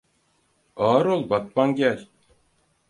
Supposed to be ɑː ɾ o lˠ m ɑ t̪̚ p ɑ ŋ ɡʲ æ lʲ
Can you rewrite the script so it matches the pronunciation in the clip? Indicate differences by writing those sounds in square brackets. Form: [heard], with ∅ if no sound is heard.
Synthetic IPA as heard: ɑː ɾ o lˠ [b] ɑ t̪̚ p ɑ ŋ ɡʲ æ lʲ

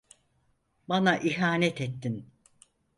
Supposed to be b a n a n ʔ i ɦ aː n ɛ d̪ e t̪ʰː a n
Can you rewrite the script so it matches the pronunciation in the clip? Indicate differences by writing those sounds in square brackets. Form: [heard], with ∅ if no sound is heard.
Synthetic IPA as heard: b a n a [∅] ʔ i ɦ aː n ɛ [t̪] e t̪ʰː [i] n

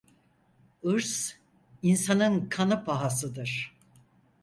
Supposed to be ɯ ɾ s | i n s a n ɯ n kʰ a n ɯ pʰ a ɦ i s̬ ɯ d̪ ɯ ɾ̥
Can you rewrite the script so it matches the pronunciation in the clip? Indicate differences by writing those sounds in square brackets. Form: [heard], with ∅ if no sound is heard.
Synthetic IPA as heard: ɯ ɾ s | i n s a n ɯ n kʰ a n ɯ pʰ a ɦ [a] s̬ ɯ d̪ ɯ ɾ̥

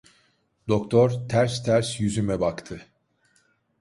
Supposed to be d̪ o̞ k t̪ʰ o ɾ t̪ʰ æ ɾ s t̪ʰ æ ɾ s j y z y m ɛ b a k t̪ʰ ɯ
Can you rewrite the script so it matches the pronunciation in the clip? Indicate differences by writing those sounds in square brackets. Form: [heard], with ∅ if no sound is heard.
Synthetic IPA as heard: d̪ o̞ k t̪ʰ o ɾ t̪ʰ æ ɾ s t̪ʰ æ ɾ s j y z y m ɛ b a k t̪ʰ ɯ

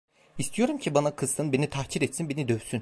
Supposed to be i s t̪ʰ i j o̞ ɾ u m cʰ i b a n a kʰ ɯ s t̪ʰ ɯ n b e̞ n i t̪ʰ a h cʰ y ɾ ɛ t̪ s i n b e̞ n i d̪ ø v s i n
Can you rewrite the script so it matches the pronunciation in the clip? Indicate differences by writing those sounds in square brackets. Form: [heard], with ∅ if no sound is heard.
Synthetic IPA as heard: i s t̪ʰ i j o̞ ɾ u m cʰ i b a n a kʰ ɯ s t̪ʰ ɯ n b e̞ n i t̪ʰ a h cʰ [i] ɾ ɛ t̪ s i n b e̞ n i d̪ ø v s [y] n

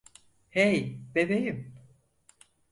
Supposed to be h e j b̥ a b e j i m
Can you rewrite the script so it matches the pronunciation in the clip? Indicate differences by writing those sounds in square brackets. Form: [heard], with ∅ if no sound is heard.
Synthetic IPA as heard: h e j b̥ [e] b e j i m

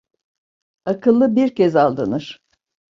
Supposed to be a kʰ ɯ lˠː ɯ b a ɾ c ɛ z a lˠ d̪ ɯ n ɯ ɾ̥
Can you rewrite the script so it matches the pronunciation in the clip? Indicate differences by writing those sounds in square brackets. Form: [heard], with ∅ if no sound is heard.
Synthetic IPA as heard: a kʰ ɯ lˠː ɯ b [i] ɾ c ɛ z a lˠ d̪ ɯ n ɯ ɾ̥

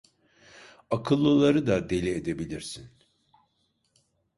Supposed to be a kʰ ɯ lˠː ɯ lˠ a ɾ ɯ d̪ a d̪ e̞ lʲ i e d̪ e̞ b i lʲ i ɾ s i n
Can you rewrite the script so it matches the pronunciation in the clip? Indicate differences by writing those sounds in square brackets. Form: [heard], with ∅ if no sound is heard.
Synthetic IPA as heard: a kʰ ɯ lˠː ɯ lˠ a ɾ ɯ d̪ a d̪ e̞ lʲ i e d̪ e̞ b i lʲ i ɾ s i n

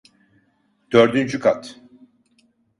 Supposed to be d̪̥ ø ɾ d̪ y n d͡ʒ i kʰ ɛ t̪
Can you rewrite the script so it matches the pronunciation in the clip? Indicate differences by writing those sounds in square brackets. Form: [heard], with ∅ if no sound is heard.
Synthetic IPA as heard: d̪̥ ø ɾ d̪ y n d͡ʒ [y] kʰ [a] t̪

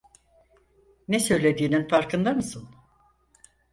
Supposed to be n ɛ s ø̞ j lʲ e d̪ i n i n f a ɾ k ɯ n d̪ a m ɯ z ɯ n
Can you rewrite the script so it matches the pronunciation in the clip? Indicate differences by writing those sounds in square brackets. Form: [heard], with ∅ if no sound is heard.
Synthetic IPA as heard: n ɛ s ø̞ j lʲ e d̪ [iː] n i n f a ɾ k ɯ n d̪ a m ɯ [s] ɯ n

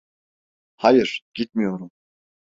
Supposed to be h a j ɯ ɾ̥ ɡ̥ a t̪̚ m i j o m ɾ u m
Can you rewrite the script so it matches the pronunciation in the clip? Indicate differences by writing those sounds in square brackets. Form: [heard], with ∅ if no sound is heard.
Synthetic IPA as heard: h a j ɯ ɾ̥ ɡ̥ [i] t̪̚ m i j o [∅] ɾ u m

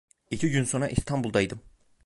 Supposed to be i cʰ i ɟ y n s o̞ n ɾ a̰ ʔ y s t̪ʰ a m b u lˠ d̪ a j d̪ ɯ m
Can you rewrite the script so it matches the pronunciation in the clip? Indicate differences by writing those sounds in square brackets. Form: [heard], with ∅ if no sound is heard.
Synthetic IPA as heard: i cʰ i ɟ y n s o̞ n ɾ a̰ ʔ [i] s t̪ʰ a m b u lˠ d̪ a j d̪ ɯ m

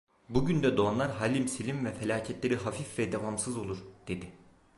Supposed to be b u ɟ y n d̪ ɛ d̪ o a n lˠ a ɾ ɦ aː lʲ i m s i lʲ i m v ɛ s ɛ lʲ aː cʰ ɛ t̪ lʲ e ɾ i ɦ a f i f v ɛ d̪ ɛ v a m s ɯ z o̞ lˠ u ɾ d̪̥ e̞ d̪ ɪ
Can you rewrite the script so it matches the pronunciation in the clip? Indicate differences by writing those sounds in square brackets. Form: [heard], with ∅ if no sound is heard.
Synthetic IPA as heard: b u ɟ y n d̪ ɛ d̪ o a n lˠ a ɾ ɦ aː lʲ i m s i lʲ i m v ɛ [f] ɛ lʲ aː cʰ ɛ t̪ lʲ e ɾ i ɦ a f i f v ɛ d̪ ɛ v a m s ɯ z o̞ lˠ u ɾ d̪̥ e̞ d̪ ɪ

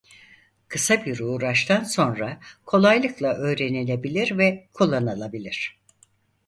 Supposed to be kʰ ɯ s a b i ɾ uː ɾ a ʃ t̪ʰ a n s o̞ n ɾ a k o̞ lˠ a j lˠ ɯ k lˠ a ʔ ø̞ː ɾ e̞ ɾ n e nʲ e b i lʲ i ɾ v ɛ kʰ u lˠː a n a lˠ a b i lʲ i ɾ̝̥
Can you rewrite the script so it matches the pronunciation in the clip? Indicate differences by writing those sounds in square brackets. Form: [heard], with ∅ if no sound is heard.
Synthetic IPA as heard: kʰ ɯ s a b i ɾ uː ɾ a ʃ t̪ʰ a n s o̞ n ɾ a [kʰ] o̞ lˠ a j lˠ ɯ k lˠ a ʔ ø̞ː ɾ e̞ [∅] n e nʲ e b i lʲ i ɾ v ɛ kʰ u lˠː a n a lˠ a b i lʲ i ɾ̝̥

